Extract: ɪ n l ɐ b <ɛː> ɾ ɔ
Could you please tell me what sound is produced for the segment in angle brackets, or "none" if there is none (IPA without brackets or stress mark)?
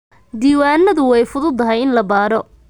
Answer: aː